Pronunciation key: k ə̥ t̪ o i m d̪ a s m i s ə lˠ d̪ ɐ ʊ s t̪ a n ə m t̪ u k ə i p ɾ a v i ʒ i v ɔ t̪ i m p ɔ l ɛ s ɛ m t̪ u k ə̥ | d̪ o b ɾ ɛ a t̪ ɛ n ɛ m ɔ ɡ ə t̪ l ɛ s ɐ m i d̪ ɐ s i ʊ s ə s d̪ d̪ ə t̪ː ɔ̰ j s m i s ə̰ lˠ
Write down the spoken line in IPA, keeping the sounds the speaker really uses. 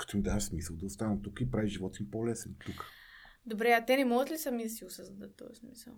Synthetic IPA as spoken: k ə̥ t̪ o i m d̪ a s m i s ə lˠ d̪ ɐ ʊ s t̪ a n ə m t̪ u k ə i p ɾ a v i ʒ i v ɔ t̪ i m p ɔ l ɛ s ɛ n t̪ u k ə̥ | d̪ o b ɾ ɛ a t̪ ɛ n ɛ m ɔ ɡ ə t̪ l i s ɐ m i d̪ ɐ s i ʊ s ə z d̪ d̪ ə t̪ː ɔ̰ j s m i s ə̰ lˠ